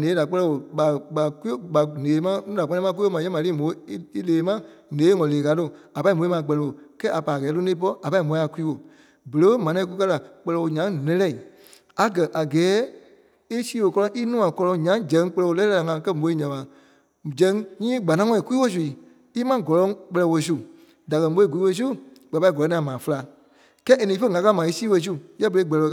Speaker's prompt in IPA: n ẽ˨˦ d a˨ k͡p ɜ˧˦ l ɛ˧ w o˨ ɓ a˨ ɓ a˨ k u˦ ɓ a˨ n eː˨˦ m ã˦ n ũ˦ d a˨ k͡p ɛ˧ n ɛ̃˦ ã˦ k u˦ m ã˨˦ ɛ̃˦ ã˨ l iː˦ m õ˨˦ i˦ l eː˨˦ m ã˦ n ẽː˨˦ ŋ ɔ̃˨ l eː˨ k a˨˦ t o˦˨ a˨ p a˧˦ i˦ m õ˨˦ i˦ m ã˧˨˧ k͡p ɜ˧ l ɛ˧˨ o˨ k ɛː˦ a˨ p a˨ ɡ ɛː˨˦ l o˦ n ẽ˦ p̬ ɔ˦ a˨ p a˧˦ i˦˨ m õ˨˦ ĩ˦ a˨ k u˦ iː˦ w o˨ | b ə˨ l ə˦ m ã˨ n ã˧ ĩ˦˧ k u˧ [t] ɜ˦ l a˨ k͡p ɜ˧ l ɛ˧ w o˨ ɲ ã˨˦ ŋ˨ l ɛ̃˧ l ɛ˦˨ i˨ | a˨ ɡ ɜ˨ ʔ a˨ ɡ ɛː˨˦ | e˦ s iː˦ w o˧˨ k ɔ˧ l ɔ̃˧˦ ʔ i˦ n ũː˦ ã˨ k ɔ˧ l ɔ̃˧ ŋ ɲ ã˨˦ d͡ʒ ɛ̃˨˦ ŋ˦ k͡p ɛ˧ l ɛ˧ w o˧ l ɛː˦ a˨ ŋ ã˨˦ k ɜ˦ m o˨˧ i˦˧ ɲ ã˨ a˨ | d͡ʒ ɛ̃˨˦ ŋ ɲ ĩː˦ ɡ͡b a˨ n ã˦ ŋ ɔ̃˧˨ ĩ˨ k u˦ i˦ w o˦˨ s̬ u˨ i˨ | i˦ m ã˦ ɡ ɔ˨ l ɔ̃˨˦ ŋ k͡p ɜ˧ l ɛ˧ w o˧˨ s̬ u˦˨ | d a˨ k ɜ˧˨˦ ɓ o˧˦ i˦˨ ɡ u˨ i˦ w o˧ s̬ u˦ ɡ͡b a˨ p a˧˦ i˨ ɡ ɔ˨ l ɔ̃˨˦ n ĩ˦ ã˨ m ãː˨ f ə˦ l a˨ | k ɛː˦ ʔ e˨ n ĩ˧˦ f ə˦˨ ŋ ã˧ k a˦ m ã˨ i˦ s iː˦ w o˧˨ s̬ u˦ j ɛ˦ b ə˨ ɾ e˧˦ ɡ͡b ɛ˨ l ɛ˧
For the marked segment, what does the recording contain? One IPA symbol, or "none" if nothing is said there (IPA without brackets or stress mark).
k